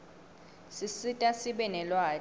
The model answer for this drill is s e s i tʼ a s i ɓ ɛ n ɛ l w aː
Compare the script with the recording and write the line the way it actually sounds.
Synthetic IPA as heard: s i s i tʼ a s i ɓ ɛ n ɛ l w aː